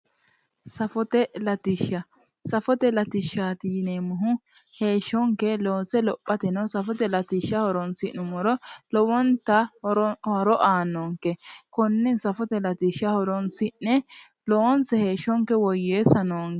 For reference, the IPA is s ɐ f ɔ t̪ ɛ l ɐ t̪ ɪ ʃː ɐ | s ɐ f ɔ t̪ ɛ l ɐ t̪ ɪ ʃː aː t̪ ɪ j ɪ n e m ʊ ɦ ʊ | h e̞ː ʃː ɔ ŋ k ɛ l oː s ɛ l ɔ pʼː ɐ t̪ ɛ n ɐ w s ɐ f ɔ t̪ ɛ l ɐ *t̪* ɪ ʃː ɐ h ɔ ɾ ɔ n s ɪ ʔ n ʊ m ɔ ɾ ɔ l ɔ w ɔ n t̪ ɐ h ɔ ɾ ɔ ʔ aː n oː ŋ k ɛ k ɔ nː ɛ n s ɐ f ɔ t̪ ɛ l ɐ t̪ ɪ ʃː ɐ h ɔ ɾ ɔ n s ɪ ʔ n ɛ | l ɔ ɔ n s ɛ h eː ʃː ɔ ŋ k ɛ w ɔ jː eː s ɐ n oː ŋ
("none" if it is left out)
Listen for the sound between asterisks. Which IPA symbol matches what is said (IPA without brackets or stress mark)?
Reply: t̪